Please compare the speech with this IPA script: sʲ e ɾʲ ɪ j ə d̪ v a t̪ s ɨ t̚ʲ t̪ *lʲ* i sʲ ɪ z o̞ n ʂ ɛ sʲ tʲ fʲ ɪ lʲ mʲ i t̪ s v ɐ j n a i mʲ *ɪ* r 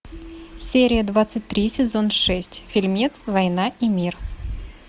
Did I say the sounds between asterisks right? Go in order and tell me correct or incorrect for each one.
incorrect: ɾʲ, incorrect: i

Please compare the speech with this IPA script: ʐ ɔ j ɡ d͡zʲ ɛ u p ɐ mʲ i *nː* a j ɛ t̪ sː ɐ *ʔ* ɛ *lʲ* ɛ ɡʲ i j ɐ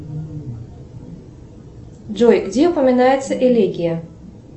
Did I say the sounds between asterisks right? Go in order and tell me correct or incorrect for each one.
incorrect: n, correct, correct

